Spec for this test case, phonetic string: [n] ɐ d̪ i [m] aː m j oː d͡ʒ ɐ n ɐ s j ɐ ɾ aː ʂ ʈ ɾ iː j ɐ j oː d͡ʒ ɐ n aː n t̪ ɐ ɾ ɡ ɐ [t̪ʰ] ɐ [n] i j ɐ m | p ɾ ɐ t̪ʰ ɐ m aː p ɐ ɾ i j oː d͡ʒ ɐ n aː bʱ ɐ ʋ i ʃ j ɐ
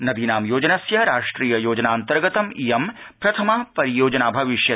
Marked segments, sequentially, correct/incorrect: correct, incorrect: n, incorrect: t̪, incorrect: m

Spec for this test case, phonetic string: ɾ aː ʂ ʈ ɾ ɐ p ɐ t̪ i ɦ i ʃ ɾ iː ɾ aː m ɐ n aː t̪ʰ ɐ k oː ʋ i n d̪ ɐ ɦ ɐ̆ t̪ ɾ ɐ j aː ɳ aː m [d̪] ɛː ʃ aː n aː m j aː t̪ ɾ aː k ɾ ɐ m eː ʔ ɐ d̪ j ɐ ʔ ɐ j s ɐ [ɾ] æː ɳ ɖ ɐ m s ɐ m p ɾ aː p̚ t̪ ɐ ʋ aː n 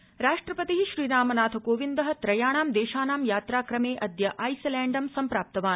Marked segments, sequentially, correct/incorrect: correct, incorrect: l

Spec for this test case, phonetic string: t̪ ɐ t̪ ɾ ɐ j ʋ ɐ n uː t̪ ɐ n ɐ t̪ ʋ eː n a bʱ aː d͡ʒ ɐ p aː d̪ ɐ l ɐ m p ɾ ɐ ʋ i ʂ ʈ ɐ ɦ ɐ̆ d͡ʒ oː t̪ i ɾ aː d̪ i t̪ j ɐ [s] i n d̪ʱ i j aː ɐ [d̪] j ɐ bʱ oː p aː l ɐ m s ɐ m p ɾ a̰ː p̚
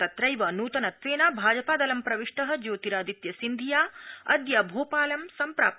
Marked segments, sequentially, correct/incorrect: correct, correct

